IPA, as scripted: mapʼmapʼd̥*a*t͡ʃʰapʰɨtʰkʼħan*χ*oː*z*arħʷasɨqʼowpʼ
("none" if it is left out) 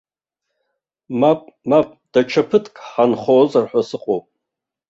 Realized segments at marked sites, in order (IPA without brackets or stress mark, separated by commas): a, χ, z